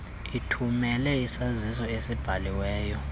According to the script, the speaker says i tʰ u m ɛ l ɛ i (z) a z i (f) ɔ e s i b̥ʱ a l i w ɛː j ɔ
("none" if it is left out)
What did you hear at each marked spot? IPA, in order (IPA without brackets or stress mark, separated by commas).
s, s